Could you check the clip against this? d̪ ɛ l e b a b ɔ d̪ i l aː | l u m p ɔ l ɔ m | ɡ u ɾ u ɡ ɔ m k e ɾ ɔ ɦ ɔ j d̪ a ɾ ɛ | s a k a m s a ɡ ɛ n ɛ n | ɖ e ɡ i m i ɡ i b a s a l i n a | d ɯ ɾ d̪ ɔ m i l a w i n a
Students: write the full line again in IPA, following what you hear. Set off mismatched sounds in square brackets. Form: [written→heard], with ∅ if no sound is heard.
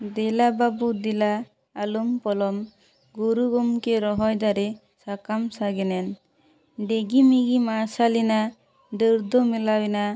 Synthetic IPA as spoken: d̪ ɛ l [e→a] b a b [ɔ→u] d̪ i l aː | l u m p ɔ l ɔ m | ɡ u ɾ u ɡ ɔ m k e ɾ ɔ ɦ ɔ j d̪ a ɾ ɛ | s a k a m s a ɡ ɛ n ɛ n | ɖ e ɡ i m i ɡ i [b→m] a s a l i n a | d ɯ ɾ d̪ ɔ m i l a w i n a